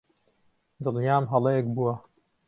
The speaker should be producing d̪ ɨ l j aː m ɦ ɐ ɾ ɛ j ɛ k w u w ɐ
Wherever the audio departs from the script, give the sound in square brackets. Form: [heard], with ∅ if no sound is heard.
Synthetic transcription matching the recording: d̪ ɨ l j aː m ɦ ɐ [l] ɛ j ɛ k [b] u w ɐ